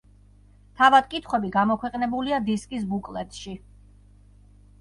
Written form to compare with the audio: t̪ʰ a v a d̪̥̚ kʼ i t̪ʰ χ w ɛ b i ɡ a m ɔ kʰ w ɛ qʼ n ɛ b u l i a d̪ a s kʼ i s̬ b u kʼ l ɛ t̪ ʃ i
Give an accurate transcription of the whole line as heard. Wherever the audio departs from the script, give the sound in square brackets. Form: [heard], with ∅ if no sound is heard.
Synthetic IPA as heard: t̪ʰ a v a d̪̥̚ kʼ i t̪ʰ χ w ɛ b i ɡ a m ɔ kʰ w ɛ qʼ n ɛ b u l i a d̪ [i] s kʼ i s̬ b u kʼ l ɛ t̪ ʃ i